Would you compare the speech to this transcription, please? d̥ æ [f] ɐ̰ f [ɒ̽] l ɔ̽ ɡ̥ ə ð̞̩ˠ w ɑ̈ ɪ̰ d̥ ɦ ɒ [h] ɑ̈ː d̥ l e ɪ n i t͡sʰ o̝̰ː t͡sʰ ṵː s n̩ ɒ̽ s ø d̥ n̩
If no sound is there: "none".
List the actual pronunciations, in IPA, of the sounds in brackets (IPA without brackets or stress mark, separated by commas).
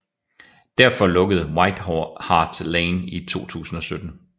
none, ɒ̽, h